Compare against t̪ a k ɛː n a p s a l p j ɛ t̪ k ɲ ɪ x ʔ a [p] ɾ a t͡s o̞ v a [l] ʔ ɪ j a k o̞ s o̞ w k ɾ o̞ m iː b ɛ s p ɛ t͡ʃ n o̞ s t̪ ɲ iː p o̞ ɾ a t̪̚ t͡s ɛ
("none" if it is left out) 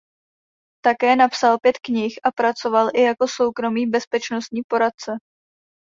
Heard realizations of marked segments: p, l

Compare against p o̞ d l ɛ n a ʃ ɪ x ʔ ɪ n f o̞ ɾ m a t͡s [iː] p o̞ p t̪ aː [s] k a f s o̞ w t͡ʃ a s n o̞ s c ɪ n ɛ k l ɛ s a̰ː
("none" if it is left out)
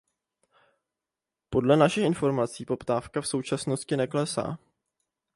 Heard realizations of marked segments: iː, f

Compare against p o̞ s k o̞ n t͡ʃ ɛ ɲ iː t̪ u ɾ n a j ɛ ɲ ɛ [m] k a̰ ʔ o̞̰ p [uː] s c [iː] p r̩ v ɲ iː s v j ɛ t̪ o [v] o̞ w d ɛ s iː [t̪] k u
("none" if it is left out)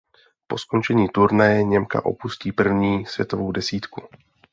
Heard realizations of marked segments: m, u, iː, v, t̪

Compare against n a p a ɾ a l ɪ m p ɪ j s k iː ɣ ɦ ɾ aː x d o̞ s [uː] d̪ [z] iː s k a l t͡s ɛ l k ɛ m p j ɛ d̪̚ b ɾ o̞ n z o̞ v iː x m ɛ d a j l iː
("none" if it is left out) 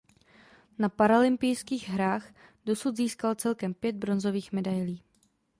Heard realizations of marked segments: u, z

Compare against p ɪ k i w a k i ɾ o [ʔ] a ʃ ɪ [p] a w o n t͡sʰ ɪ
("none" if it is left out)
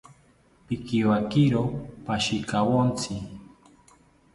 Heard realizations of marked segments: p, k

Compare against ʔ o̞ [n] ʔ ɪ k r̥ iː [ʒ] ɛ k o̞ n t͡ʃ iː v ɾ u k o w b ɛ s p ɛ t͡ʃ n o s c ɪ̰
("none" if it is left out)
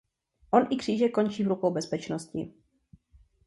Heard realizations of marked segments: n, ʒ

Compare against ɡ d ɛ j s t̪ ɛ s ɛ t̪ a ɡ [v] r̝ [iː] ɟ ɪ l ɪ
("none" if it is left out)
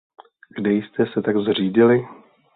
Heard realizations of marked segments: z, iː

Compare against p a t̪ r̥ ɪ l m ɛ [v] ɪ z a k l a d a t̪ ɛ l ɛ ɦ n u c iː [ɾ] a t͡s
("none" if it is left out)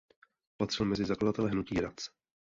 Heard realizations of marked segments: z, ɾ

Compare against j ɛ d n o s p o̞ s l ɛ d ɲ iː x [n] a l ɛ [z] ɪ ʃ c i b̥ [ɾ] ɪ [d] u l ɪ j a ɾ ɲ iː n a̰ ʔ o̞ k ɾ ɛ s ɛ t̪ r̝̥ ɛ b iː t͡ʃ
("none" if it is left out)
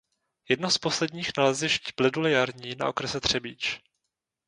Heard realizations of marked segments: n, z, l, d

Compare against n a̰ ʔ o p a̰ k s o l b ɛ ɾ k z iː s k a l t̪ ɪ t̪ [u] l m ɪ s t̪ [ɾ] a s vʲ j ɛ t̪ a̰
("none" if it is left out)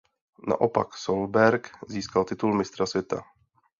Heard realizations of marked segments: u, ɾ

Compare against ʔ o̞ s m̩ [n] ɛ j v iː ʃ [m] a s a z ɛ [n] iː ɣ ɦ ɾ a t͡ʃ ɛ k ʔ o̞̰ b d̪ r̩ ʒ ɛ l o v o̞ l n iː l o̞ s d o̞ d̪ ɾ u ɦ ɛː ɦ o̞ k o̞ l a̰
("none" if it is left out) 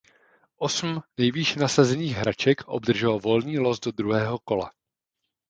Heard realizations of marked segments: n, n, n

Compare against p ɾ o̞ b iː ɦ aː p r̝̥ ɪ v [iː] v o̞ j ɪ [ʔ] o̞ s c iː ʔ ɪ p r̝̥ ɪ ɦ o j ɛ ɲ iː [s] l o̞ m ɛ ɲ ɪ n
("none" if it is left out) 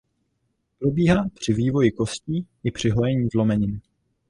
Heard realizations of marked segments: iː, k, z

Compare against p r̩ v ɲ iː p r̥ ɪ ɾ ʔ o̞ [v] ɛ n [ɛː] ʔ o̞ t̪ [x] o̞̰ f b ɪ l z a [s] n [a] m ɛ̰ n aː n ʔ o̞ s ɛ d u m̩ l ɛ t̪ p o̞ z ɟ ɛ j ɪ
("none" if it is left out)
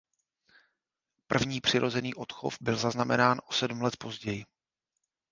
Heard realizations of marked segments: z, iː, x, z, a

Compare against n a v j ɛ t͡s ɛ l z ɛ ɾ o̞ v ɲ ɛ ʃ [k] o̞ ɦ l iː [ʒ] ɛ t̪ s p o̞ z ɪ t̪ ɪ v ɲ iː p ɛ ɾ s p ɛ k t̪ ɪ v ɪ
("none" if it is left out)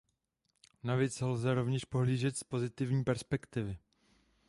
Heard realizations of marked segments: p, ʒ

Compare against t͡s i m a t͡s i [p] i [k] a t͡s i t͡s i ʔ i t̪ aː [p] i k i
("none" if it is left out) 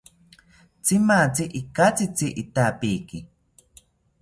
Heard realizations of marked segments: ʔ, k, p

